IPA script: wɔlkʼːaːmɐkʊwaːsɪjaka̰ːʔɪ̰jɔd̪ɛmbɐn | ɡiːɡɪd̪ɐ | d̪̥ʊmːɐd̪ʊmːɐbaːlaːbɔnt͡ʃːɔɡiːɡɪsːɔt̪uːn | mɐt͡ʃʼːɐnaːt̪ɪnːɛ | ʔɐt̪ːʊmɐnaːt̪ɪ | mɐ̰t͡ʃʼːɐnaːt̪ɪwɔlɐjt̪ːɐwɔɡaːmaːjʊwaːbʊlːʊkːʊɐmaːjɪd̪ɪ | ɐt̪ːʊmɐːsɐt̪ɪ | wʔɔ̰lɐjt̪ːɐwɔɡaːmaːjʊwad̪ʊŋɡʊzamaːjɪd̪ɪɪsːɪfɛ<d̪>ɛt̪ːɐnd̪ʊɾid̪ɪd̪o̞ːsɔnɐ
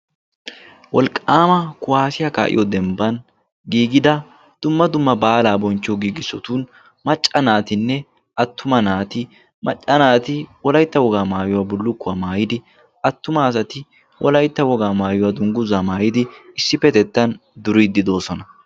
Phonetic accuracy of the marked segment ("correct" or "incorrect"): incorrect